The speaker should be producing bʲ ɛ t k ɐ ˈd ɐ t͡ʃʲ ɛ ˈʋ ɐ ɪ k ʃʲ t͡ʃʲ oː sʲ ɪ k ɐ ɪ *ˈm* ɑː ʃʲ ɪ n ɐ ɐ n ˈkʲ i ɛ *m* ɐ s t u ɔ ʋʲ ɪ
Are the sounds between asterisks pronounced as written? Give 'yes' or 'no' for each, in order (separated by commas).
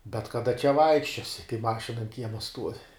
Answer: yes, yes